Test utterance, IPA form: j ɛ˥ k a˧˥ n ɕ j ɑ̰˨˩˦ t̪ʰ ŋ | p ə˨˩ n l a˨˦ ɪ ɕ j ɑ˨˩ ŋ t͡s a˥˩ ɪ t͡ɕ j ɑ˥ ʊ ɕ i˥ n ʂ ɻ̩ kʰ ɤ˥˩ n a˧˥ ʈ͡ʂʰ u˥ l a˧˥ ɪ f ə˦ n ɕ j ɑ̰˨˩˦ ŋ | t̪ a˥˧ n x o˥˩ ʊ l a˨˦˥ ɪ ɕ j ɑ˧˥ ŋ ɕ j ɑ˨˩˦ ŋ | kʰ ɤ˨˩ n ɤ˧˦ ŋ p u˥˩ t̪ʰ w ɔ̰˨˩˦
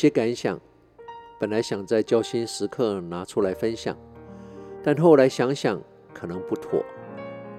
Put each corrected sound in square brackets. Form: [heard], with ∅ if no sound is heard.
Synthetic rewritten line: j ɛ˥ k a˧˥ n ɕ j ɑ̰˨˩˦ [∅] ŋ | p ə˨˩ n l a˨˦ ɪ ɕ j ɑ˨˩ ŋ t͡s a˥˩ ɪ t͡ɕ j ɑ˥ ʊ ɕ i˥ n ʂ ɻ̩ kʰ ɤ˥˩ n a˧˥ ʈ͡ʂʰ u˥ l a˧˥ ɪ f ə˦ n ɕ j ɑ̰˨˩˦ ŋ | t̪ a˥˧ n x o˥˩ ʊ l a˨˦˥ ɪ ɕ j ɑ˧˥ ŋ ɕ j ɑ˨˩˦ ŋ | kʰ ɤ˨˩ n ɤ˧˦ ŋ p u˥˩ t̪ʰ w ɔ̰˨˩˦